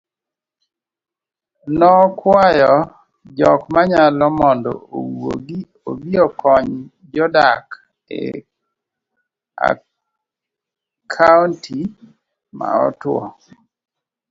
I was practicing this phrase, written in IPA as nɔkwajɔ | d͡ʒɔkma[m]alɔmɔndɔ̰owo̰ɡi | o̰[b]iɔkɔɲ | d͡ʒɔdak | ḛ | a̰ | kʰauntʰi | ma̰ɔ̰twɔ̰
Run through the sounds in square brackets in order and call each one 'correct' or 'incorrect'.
incorrect: ɲ, correct

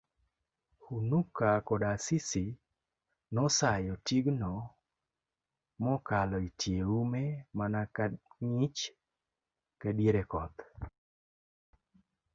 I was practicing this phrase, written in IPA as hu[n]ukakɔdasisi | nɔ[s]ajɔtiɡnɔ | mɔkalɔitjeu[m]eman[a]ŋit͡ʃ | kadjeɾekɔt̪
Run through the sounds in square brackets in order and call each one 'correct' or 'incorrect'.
correct, correct, correct, correct

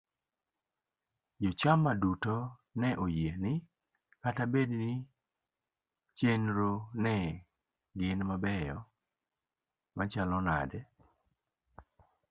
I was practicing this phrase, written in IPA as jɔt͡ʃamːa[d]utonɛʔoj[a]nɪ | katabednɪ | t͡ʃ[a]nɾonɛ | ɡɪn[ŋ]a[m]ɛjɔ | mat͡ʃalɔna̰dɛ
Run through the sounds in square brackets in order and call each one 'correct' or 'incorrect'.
correct, incorrect: e, incorrect: e, incorrect: m, incorrect: b

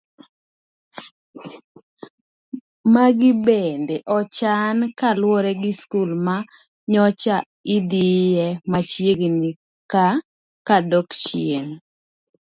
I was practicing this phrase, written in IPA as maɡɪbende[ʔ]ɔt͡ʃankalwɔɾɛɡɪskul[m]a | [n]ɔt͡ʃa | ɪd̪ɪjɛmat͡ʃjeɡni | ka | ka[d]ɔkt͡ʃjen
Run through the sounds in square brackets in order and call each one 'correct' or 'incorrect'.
correct, correct, incorrect: ɲ, correct

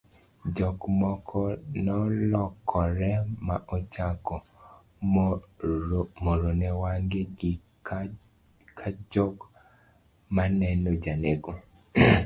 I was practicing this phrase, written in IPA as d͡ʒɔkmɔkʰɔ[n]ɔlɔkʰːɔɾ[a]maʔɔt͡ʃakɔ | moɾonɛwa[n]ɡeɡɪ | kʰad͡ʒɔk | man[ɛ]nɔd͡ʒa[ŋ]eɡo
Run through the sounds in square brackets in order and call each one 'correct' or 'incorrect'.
correct, incorrect: ɛ, incorrect: ŋ, correct, incorrect: n

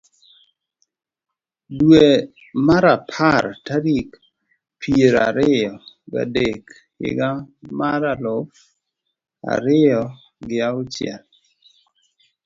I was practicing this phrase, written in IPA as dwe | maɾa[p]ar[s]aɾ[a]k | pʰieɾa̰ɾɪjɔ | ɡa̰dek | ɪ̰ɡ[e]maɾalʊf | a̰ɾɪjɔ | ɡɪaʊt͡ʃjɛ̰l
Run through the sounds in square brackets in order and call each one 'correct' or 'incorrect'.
incorrect: pʰ, incorrect: t, incorrect: i, incorrect: a

